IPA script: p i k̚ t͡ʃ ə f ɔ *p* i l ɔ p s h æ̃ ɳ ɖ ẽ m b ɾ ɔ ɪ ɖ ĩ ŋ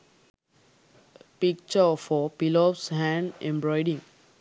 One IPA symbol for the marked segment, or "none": p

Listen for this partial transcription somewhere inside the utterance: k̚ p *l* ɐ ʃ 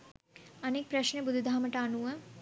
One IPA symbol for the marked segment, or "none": ɾ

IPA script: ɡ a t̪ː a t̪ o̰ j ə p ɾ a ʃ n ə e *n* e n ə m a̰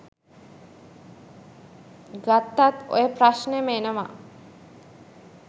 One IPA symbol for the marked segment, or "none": m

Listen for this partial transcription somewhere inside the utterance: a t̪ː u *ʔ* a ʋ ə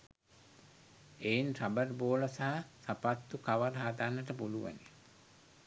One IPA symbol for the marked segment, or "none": k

